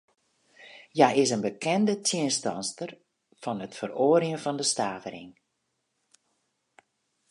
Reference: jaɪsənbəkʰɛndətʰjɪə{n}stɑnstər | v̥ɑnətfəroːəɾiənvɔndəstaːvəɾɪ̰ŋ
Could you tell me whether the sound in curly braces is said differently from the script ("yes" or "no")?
no